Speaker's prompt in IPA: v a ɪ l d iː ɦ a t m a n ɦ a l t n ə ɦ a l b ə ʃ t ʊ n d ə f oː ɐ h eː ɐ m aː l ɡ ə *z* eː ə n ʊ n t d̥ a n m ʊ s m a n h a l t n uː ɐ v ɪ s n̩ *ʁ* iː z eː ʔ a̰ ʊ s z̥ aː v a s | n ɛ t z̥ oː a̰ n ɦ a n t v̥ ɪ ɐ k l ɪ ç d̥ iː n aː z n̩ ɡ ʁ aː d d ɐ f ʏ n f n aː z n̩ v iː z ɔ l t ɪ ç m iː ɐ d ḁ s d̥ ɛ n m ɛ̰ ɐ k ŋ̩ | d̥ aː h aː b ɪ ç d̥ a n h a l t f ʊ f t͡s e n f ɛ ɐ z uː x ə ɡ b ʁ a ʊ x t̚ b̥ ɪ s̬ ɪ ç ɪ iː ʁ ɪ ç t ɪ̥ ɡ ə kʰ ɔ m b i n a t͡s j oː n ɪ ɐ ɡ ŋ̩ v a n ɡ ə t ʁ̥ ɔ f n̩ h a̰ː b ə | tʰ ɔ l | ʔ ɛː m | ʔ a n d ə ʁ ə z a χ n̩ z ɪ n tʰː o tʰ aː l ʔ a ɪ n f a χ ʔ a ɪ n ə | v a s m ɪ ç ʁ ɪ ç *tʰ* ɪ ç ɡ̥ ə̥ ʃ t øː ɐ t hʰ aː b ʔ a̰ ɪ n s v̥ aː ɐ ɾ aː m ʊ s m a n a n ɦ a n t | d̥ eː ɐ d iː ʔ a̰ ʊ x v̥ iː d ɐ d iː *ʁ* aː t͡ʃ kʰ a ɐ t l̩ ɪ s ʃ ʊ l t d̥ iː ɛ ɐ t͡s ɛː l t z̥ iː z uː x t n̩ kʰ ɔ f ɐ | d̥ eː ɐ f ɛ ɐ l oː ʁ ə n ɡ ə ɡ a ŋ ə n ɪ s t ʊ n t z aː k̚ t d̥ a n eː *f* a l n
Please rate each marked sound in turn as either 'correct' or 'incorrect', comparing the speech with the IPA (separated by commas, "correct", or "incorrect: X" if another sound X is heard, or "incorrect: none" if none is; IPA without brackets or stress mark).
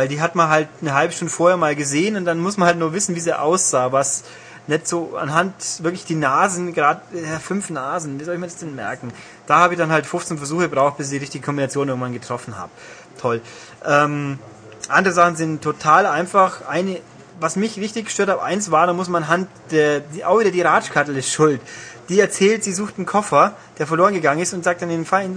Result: correct, incorrect: v, incorrect: t, correct, correct